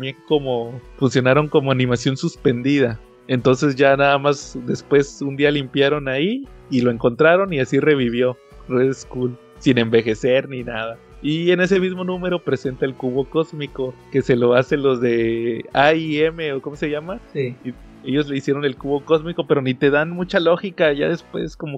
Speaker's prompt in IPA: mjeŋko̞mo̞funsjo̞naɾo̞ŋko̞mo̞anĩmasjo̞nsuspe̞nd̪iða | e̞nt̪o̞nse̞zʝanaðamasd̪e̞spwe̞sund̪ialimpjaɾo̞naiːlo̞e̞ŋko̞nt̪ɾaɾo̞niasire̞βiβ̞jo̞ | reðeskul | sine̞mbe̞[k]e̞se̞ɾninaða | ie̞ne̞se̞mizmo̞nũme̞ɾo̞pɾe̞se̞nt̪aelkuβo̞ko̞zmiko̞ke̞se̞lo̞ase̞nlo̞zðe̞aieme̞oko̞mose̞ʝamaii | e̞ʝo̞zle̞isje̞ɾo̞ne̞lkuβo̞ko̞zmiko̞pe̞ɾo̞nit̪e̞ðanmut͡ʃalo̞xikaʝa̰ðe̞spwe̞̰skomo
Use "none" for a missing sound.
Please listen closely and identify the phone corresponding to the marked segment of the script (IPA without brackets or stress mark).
x